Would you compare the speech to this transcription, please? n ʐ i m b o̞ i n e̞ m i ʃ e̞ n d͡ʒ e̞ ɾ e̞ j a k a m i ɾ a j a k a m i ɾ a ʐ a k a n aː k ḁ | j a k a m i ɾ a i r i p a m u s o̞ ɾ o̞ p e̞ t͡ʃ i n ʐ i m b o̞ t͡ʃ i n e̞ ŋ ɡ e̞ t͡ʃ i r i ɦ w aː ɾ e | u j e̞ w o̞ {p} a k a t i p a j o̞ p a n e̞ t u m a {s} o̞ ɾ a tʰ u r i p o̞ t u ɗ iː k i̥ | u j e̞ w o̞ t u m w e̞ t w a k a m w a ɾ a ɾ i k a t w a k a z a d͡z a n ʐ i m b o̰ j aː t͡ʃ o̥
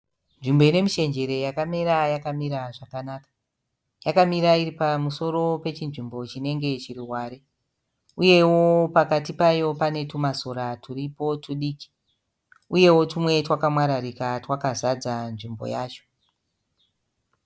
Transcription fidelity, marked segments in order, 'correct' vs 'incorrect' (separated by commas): correct, correct